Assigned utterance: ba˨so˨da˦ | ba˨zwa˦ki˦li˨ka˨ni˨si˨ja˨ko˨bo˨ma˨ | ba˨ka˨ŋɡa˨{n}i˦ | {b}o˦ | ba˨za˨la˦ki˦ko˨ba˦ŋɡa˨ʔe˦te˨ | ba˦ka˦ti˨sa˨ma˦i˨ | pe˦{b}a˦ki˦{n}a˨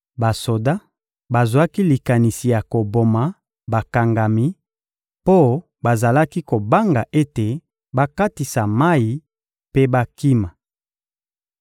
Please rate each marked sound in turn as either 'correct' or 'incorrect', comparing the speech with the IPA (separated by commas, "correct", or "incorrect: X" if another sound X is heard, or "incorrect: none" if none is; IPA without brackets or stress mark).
incorrect: m, incorrect: p, correct, incorrect: m